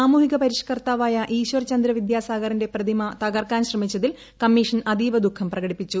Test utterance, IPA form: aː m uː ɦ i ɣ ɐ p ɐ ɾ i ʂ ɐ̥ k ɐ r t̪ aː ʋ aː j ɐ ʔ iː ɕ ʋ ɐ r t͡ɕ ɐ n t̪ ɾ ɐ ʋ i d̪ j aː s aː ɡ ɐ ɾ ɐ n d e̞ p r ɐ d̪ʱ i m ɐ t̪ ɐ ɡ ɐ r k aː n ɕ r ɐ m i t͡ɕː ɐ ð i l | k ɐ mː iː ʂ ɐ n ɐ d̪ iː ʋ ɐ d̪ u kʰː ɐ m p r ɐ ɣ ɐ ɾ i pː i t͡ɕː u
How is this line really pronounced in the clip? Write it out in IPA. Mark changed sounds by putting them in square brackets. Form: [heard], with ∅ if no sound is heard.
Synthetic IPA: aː m uː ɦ i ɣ ɐ p ɐ ɾ i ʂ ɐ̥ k ɐ r t̪ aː ʋ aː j ɐ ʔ iː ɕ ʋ ɐ r t͡ɕ ɐ n [d̪] ɾ ɐ ʋ i d̪ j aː s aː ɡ ɐ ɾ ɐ n d e̞ p r ɐ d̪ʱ i m ɐ t̪ ɐ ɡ ɐ r k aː n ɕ r ɐ m i t͡ɕː ɐ ð i l | k ɐ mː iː ʂ ɐ n ɐ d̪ iː ʋ ɐ d̪ u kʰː ɐ m p r ɐ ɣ ɐ [ɽ] i pː i t͡ɕː u